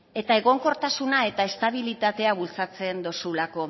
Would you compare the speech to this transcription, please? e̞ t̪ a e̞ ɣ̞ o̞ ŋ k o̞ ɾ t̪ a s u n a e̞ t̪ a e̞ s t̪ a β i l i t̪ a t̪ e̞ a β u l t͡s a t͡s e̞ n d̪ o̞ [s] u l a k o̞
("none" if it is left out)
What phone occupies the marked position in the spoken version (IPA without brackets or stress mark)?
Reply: s